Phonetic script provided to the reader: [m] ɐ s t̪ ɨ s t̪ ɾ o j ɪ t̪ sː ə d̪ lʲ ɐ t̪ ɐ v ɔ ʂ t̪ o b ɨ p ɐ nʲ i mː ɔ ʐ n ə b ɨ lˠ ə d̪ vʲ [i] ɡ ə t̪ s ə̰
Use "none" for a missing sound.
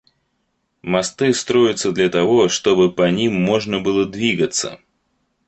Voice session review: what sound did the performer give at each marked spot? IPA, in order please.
m, i

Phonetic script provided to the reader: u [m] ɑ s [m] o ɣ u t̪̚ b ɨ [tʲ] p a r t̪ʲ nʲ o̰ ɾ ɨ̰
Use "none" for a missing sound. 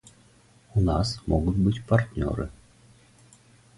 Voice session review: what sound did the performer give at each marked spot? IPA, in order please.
n, m, tʲ

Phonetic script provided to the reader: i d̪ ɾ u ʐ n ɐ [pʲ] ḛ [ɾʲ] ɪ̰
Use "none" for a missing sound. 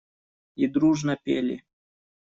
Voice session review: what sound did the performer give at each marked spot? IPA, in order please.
pʲ, lʲ

